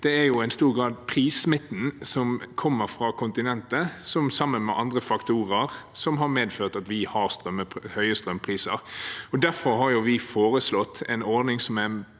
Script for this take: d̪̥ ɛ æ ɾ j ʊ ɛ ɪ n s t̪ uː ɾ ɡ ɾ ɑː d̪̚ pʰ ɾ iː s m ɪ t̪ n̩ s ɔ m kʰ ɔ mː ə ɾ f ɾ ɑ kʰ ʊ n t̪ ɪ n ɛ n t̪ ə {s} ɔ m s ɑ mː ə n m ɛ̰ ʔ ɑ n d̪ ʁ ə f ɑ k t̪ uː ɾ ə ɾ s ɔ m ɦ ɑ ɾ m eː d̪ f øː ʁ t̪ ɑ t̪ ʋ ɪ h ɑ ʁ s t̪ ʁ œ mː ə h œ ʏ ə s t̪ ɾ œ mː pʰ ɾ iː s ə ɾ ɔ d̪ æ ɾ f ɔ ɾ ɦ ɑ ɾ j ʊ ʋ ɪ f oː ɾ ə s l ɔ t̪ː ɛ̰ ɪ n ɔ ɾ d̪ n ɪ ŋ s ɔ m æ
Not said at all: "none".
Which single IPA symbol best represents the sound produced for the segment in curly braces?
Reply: s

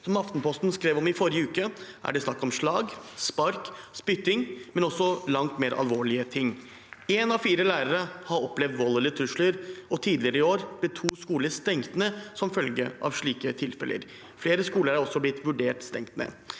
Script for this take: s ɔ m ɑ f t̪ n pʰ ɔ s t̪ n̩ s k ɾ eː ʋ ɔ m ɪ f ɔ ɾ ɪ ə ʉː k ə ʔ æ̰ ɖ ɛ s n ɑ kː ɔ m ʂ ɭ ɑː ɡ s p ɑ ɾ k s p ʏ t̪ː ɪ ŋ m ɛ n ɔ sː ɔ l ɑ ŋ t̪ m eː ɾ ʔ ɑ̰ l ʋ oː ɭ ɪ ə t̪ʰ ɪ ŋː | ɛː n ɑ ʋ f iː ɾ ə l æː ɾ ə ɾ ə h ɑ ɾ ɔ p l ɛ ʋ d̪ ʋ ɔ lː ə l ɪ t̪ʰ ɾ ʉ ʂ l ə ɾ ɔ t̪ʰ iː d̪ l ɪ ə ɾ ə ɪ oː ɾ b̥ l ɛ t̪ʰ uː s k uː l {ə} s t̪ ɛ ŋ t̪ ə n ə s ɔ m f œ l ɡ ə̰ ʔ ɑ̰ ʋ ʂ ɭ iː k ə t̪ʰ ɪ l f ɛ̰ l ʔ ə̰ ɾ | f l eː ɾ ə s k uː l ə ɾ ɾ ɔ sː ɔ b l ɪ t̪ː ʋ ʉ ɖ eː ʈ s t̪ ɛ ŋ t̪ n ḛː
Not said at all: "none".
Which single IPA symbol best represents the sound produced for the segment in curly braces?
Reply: ə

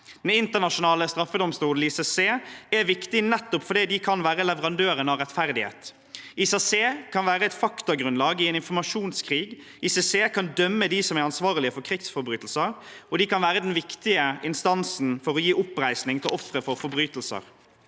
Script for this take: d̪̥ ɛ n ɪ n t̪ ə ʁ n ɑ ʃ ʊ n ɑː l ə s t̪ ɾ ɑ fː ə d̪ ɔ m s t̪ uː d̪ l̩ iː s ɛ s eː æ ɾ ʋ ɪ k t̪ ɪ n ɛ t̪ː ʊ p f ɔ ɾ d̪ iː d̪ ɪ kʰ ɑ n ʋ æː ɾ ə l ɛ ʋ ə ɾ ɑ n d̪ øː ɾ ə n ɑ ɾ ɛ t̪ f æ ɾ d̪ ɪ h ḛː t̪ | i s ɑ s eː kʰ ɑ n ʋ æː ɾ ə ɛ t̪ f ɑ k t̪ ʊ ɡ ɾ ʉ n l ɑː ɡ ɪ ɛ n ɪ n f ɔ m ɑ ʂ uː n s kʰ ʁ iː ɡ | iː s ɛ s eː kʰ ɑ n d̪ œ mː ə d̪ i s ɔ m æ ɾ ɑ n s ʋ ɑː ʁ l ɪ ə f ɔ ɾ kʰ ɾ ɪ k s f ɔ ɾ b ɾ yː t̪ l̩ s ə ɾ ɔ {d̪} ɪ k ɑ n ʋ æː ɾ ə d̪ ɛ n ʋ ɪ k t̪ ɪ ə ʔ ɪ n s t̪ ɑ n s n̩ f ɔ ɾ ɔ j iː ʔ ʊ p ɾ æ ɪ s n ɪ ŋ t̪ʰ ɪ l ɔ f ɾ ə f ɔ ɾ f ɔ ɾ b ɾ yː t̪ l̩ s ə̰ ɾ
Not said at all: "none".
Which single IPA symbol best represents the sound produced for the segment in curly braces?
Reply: d̪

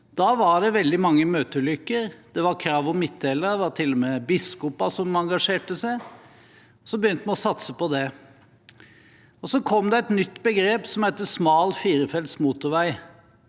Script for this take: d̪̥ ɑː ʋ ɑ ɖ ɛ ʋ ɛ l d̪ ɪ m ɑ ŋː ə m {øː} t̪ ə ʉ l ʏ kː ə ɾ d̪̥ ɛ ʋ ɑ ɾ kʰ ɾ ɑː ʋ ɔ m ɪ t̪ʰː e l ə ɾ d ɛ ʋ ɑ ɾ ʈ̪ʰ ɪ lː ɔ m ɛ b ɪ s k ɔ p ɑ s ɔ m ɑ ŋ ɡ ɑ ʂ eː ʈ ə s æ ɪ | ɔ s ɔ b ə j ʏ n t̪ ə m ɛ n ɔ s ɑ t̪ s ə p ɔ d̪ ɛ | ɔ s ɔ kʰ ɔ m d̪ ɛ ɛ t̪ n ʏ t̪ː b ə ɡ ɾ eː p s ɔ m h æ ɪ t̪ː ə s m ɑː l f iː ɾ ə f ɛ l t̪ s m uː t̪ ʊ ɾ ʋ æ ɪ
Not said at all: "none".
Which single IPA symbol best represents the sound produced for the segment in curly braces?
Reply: øː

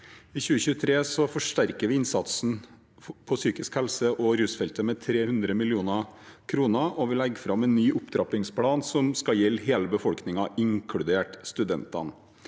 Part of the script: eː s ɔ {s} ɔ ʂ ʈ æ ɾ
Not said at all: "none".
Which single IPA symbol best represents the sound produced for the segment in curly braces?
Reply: f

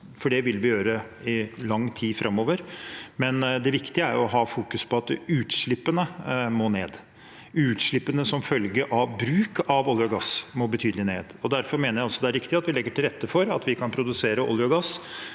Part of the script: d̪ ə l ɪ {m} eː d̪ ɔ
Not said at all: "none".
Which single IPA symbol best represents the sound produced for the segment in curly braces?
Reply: n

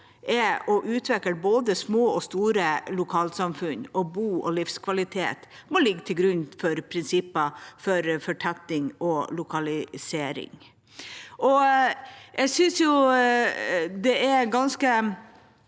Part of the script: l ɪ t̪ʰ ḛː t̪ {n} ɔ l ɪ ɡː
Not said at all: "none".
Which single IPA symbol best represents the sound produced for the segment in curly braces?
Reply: m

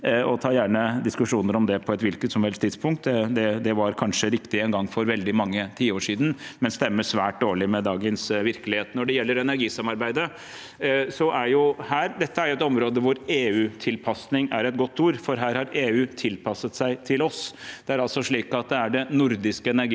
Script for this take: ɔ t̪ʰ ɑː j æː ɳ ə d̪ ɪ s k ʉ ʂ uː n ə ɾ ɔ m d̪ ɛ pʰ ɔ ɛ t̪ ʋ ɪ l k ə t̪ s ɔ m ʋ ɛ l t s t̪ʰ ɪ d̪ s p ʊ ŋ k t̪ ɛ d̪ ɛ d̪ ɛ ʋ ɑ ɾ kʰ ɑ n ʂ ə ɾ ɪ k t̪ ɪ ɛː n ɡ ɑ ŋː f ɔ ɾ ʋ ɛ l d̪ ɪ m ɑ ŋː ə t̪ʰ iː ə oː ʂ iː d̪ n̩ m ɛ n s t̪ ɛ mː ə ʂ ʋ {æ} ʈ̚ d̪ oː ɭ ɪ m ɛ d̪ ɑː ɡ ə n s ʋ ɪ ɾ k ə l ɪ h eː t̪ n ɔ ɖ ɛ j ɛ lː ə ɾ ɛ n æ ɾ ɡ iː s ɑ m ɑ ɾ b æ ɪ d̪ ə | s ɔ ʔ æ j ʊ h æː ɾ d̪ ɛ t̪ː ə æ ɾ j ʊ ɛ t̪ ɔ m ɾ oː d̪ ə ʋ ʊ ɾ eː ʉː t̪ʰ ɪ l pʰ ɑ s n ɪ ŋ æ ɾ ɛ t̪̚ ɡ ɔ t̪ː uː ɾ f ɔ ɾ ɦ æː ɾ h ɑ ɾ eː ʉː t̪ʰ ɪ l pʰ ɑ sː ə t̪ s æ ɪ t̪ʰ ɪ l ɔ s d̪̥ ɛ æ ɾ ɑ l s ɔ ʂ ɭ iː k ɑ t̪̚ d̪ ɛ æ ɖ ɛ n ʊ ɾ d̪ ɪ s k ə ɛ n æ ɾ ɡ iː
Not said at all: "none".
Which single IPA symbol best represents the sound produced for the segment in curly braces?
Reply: æː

